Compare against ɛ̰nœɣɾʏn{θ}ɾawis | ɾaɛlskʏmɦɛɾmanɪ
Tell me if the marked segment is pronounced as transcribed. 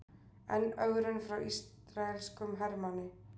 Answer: no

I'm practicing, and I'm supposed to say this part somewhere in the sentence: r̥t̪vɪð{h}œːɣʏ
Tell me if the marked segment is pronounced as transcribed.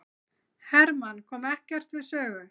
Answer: no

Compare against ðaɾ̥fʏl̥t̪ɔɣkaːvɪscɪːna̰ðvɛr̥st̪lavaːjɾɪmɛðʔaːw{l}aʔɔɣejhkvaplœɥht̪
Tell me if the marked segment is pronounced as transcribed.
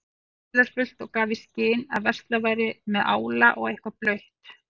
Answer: yes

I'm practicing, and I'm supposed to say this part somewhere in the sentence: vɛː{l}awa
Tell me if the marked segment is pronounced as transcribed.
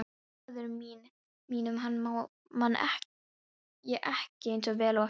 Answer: yes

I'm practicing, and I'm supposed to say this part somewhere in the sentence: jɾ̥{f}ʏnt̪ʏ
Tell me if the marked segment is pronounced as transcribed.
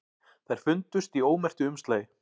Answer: yes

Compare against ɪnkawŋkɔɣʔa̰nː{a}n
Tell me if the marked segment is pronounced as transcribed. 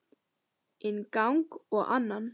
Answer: yes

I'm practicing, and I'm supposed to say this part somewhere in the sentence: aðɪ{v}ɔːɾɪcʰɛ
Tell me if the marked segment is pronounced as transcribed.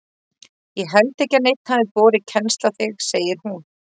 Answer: yes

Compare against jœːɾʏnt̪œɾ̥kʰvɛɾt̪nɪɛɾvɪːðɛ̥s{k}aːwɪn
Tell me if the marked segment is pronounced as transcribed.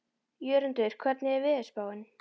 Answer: no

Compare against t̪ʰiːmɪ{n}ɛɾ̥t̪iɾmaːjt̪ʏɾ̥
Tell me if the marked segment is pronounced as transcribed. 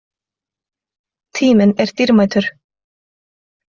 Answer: yes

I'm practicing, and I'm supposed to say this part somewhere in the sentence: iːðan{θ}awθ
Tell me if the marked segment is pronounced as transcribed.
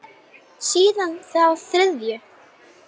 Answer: yes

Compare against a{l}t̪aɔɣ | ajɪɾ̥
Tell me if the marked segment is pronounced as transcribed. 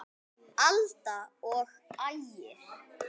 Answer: yes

